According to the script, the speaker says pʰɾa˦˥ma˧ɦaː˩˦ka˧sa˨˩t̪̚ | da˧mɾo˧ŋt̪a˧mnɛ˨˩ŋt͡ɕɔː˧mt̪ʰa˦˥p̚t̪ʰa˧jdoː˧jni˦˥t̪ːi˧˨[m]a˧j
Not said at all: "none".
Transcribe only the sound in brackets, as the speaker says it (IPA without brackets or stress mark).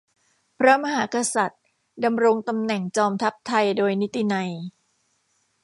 n